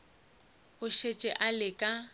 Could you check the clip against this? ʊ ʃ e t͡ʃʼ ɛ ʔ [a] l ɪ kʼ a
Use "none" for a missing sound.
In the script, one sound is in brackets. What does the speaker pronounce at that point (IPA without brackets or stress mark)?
a